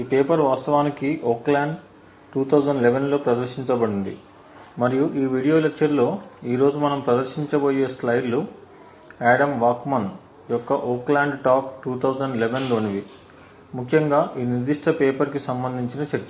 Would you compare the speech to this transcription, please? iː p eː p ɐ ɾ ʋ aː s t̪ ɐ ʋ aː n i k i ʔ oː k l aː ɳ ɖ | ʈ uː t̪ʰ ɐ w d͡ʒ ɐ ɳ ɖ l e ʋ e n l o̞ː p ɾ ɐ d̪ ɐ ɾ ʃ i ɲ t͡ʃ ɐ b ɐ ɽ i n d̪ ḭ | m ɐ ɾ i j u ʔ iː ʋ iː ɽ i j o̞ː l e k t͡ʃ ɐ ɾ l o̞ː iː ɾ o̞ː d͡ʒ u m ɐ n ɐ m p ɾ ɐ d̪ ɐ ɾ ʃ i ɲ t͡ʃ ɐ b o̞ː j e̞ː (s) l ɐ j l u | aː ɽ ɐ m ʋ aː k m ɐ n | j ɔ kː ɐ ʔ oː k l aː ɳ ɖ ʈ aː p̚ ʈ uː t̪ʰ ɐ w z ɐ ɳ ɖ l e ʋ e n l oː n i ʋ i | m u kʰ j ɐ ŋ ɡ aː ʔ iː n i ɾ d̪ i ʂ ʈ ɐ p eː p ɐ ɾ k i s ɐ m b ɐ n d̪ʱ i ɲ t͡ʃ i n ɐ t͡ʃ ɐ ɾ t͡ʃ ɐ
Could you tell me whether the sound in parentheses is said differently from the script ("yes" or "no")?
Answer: no